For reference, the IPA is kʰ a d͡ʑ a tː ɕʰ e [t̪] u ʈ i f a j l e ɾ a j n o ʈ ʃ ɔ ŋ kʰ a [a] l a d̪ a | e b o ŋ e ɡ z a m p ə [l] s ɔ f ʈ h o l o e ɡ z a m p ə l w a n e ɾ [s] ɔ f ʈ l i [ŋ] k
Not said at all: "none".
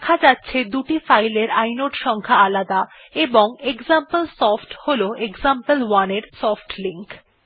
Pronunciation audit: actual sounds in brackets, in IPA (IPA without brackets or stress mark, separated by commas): d̪, a, l, s, ŋ